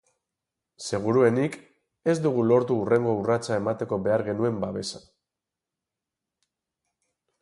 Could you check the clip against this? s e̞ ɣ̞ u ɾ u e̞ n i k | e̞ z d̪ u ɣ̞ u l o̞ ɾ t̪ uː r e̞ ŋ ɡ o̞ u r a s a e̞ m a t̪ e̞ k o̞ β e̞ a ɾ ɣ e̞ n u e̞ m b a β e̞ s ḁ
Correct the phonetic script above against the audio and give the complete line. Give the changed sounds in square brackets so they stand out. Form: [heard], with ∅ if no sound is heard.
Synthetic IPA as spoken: s e̞ ɣ̞ u ɾ u e̞ n i k | e̞ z d̪ u ɣ̞ u l o̞ ɾ t̪ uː r e̞ ŋ ɡ o̞ u r a [t͡s] a e̞ m a t̪ e̞ k o̞ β e̞ a ɾ ɣ e̞ n u e̞ m b a β e̞ s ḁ